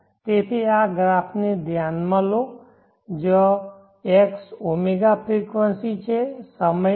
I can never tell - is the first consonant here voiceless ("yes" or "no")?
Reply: yes